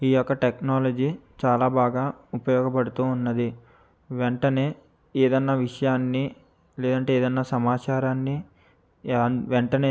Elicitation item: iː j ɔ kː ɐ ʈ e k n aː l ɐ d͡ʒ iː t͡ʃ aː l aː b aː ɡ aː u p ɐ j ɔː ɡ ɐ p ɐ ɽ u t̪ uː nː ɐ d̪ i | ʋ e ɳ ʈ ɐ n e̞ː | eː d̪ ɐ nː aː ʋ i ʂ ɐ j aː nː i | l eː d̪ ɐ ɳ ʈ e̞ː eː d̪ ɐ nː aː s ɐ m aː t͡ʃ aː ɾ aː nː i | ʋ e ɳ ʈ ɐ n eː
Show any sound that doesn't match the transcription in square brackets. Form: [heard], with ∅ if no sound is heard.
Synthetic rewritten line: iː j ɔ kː ɐ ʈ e k n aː l ɐ d͡ʒ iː t͡ʃ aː l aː b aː ɡ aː u p ɐ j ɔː ɡ ɐ p ɐ ɽ u t̪ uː nː ɐ d̪ i | ʋ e ɳ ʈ ɐ n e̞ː | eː d̪ ɐ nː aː ʋ i ʂ ɐ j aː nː i | l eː d̪ ɐ ɳ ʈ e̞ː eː d̪ ɐ nː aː s ɐ m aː t͡ʃ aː ɾ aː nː i | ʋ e ɳ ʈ ɐ n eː